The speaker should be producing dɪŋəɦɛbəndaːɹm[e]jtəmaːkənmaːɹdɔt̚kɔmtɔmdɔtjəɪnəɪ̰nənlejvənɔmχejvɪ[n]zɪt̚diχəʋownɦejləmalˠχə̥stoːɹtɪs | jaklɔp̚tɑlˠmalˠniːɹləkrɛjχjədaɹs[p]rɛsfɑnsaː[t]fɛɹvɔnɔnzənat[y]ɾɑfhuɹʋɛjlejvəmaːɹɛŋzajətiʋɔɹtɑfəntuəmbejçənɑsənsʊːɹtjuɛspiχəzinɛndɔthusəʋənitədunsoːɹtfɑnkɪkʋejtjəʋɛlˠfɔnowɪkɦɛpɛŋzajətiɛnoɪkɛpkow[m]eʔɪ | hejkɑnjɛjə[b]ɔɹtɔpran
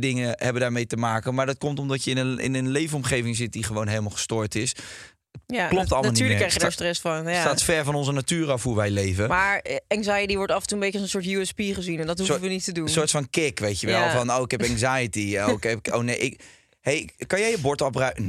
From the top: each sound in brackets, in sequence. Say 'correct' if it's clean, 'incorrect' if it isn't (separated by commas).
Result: correct, incorrect, incorrect, correct, incorrect, incorrect, correct